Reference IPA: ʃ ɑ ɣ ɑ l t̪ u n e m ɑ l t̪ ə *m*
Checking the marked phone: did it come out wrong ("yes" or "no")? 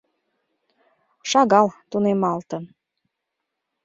yes